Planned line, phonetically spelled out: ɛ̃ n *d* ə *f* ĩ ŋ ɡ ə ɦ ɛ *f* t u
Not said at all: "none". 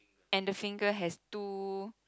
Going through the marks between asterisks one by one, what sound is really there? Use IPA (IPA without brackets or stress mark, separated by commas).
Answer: d, f, s